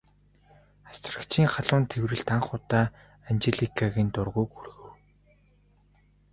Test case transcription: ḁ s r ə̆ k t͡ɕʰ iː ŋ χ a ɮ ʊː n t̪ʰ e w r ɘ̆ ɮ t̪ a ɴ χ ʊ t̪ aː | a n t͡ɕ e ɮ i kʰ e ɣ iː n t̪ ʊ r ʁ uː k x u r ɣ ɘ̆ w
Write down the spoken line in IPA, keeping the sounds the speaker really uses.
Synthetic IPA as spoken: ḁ s r ə̆ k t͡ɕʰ iː ŋ χ a ɮ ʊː n t̪ʰ e w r ɘ̆ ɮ t̪ a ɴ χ ʊ t̪ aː | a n t͡ɕ e ɮ i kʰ a ɣ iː n t̪ ʊ r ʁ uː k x u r ɣ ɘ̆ w